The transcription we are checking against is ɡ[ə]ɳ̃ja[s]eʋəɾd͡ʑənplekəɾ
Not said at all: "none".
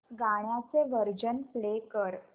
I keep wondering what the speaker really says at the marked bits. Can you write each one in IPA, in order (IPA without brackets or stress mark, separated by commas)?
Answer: a, t͡s